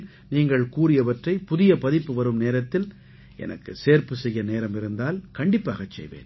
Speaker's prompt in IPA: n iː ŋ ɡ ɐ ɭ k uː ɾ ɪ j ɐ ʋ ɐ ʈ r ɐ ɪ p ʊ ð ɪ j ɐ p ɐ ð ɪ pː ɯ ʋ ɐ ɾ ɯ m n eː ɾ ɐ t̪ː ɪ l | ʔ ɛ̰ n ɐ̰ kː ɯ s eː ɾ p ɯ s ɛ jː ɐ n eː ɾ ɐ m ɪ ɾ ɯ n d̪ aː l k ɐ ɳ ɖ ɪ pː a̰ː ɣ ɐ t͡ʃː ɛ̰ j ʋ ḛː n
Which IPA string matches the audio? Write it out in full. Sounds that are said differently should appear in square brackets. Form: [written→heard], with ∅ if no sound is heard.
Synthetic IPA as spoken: n iː ŋ ɡ ɐ ɭ k uː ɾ ɪ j ɐ ʋ ɐ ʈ r ɐ ɪ p ʊ ð ɪ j ɐ p ɐ ð ɪ pː ɯ ʋ ɐ ɾ ɯ m n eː ɾ ɐ t̪ː ɪ l | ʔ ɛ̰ n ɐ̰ kː ɯ s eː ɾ p ɯ s ɛ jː ɐ n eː ɾ ɐ m ɪ ɾ ɯ n d̪ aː l k ɐ ɳ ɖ ɪ pː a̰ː ɣ ɐ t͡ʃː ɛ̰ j ʋ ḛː n